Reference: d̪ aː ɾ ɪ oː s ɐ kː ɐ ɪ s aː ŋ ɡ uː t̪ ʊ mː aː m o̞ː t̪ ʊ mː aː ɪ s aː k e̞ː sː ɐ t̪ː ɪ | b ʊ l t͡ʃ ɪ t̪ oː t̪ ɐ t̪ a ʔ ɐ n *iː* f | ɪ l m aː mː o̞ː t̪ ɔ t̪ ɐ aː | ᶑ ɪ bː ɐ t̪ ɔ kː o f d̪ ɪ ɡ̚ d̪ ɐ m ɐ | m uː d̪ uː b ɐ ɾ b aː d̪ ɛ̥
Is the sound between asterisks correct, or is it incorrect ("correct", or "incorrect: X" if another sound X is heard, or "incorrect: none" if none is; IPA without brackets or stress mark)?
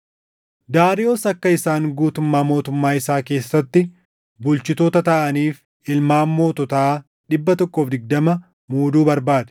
correct